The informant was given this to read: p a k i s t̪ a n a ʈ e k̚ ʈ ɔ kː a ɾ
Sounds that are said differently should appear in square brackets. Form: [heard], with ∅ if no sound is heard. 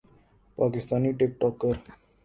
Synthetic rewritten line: p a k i s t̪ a n [i] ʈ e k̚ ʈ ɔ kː [ə] ɾ